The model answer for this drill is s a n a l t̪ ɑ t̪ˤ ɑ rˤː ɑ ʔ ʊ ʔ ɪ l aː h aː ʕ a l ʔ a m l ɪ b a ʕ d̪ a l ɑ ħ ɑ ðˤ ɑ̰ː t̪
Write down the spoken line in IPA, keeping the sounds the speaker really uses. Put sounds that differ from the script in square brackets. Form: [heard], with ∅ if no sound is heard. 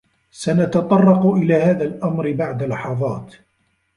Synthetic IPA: s a n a [∅] t̪ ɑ t̪ˤ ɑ rˤː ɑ [q] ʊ ʔ ɪ l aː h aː [ð] a l ʔ a m [ɾ] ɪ b a ʕ d̪ a l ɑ ħ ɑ ðˤ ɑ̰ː t̪

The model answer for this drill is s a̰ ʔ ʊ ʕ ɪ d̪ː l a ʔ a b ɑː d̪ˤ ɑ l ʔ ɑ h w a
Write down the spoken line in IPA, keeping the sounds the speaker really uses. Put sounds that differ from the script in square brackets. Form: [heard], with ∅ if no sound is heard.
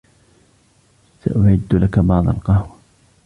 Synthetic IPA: s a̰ ʔ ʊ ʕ ɪ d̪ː l a [k] a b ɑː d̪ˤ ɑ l [q] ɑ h w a

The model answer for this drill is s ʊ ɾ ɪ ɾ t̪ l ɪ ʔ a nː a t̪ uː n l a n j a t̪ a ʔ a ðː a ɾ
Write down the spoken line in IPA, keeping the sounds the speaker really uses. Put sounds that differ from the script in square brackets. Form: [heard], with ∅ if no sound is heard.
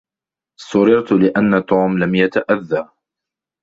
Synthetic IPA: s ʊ ɾ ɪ ɾ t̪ l ɪ ʔ a nː a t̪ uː [m] l a [m] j a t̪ a ʔ a ðː a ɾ

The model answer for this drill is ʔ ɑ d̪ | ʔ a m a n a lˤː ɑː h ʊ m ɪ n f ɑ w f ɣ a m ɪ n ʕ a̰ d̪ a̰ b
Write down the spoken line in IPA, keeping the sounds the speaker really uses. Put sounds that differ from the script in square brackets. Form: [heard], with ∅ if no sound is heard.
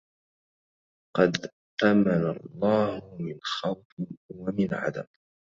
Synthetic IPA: [q] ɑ d̪ | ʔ a m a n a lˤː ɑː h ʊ m ɪ n [x] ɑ w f [w] a m ɪ n ʕ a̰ d̪ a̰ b

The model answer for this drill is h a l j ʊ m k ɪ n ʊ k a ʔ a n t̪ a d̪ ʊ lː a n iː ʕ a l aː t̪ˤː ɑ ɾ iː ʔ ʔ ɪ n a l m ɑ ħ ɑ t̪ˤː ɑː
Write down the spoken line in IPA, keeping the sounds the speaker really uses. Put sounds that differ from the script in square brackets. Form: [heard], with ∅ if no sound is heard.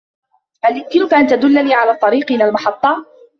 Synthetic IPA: h a l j ʊ m k ɪ n ʊ k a ʔ a n t̪ a d̪ ʊ lː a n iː ʕ a l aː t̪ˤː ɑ ɾ iː [q] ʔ ɪ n a l m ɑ ħ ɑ t̪ˤː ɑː

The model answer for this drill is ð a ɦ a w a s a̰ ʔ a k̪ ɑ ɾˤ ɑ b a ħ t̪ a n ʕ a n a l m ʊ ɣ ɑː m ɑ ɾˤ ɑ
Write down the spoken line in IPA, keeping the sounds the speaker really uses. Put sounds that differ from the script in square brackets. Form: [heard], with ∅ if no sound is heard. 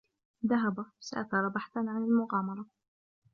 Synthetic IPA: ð a ɦ a [b] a s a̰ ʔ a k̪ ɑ ɾˤ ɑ b a ħ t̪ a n ʕ a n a l m ʊ ɣ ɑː m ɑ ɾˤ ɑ

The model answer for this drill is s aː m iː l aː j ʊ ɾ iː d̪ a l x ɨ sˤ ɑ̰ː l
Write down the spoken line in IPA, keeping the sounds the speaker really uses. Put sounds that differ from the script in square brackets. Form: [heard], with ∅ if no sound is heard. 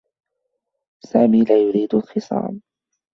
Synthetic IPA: s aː m iː l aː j ʊ ɾ iː d̪ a l x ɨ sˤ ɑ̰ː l

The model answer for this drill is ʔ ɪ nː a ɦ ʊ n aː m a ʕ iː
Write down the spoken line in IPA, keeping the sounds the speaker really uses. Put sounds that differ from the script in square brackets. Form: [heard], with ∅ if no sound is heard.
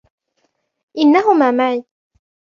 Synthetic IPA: ʔ ɪ nː a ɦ ʊ [m] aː m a ʕ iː

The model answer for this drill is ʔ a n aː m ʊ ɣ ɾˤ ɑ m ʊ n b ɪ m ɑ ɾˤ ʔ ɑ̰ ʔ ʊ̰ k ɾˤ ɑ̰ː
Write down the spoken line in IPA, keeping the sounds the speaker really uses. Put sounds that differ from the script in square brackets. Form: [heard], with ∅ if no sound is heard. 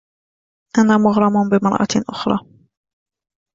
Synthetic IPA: ʔ a n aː m ʊ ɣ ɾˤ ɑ m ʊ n b ɪ m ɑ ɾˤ ʔ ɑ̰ ʔ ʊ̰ [x] ɾˤ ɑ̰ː

